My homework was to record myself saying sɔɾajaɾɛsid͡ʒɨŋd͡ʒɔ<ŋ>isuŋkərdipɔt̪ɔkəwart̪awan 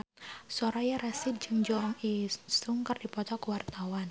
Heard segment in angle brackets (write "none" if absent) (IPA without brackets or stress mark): ŋ